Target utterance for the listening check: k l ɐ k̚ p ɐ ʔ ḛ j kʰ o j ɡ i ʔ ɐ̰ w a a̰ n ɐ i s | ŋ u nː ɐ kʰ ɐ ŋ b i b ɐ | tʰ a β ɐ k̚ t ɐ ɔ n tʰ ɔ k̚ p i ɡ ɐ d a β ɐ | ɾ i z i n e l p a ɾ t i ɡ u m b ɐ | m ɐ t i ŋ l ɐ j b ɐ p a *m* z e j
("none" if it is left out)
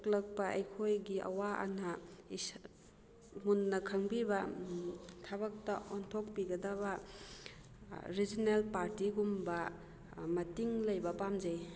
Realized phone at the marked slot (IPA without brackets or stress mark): m